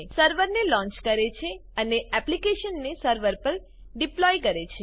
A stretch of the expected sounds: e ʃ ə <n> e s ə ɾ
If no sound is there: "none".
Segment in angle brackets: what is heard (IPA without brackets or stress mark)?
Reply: nː